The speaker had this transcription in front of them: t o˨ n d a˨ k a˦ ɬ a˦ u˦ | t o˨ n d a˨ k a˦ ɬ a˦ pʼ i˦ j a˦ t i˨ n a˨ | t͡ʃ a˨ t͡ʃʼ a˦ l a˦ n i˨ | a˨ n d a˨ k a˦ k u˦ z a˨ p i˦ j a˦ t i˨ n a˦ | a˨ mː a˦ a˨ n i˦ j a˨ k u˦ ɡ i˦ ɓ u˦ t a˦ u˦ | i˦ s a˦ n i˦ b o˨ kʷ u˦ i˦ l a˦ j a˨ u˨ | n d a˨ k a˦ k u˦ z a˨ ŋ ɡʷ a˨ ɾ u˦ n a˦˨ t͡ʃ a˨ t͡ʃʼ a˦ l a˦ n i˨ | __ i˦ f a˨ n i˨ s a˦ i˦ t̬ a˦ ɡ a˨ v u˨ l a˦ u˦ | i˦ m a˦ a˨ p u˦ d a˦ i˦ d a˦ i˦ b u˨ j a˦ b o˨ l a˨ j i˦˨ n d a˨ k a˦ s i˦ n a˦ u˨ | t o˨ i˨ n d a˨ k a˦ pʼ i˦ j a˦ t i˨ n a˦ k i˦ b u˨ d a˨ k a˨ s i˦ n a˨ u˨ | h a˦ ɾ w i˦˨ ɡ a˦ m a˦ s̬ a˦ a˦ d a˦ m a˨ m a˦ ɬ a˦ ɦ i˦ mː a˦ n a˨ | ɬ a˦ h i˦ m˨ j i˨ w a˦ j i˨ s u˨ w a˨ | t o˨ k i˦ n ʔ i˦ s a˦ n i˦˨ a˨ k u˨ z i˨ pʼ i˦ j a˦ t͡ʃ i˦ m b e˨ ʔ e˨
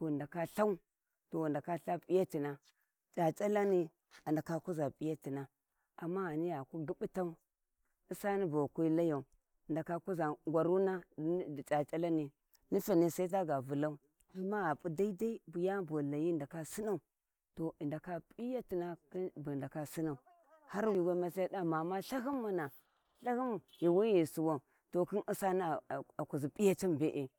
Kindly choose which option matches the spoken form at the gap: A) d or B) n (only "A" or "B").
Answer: B